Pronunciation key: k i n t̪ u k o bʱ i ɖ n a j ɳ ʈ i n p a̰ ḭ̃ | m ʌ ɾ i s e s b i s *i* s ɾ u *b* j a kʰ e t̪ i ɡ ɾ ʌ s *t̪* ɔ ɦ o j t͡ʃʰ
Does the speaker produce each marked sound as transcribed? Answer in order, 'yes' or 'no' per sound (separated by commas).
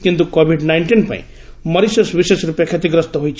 no, no, yes